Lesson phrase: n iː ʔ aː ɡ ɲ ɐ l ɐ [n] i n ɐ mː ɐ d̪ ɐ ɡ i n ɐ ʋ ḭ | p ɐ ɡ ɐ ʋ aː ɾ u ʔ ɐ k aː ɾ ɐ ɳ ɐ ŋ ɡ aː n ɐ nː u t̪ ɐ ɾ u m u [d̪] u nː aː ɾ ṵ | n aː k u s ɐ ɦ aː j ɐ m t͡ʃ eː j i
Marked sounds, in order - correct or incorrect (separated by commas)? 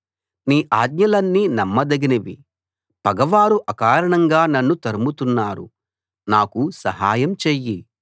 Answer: incorrect, incorrect